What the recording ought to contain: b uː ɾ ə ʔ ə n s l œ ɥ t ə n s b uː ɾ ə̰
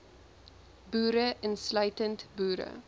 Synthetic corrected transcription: b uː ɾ ə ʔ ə n s l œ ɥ t ə n t b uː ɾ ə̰